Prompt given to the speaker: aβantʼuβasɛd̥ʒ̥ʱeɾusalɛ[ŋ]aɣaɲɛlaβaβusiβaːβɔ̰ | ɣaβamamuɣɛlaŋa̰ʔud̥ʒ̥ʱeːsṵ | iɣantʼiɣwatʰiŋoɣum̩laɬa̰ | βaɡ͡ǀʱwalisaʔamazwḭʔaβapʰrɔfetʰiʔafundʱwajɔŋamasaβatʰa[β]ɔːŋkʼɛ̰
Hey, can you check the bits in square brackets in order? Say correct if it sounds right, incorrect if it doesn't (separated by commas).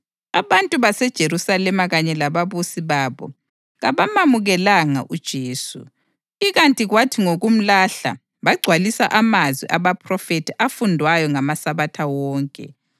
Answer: incorrect, incorrect